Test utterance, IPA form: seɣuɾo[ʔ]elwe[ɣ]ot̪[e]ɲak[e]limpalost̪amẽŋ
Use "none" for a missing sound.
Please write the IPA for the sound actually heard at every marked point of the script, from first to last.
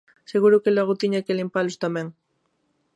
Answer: k, ɣ, i, e

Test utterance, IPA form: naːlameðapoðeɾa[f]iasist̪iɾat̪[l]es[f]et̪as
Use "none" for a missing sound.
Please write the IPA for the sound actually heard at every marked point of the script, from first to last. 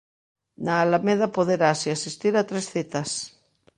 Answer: s, ɾ, θ

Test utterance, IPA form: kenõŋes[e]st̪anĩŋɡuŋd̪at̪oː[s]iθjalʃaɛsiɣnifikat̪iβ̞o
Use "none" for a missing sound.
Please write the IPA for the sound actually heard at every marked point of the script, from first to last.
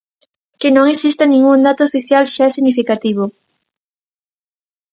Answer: i, f

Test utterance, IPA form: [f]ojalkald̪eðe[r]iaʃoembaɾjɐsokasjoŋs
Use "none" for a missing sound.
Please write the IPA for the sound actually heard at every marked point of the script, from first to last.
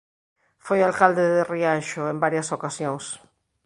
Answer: f, r

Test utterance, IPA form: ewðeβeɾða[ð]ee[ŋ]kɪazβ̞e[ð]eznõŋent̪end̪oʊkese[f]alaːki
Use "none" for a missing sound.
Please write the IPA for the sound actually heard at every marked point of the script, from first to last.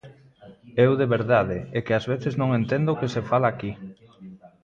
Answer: ð, none, θ, f

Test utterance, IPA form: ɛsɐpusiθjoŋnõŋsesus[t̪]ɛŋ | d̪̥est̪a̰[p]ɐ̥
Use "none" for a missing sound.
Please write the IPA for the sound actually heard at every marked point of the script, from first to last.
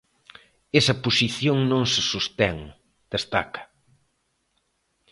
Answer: t̪, k

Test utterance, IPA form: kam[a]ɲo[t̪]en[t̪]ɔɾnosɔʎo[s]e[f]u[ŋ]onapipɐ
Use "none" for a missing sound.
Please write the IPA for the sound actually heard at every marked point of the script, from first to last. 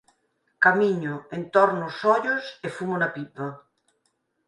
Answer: i, none, t̪, s, f, m

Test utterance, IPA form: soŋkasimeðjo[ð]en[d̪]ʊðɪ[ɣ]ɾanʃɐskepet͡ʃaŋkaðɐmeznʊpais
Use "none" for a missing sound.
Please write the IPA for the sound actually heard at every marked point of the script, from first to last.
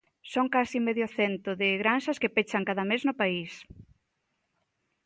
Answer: θ, t̪, ɣ

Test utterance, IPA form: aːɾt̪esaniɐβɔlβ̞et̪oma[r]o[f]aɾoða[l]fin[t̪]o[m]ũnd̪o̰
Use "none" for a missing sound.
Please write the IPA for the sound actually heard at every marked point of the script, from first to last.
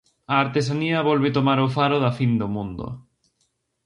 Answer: ɾ, f, none, d̪, m

